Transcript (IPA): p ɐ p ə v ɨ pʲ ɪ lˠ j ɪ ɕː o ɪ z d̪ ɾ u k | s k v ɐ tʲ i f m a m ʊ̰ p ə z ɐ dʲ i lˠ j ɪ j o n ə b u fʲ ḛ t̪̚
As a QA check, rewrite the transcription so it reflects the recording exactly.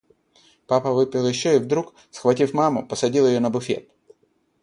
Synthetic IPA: p a p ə v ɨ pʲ ɪ lˠ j ɪ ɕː o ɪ v d̪ ɾ u k | s x v ɐ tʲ i f m a m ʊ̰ p ə s ɐ dʲ i lˠ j ɪ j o n ə b ʊ fʲ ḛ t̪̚

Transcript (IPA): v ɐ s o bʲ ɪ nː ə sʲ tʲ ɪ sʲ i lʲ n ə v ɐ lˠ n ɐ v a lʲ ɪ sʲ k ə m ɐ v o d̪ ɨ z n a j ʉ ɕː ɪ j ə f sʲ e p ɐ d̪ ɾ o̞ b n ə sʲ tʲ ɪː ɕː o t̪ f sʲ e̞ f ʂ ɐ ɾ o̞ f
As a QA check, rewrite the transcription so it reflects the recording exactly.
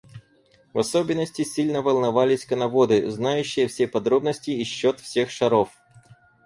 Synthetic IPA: v ɐ s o bʲ ɪ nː ə sʲ tʲ ɪ sʲ i lʲ n ə v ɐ lˠ n ɐ v a lʲ ɪ sʲ k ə n ɐ v o d̪ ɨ z n a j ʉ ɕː ɪ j ə f sʲ e p ɐ d̪ ɾ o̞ b n ə sʲ tʲ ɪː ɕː o t̪ f sʲ e̞ x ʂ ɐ ɾ o̞ f

